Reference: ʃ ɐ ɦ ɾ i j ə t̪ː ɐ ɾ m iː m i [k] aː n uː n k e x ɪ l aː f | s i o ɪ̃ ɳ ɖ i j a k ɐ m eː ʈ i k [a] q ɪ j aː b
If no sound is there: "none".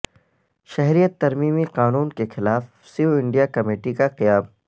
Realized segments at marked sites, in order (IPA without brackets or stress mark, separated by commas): q, a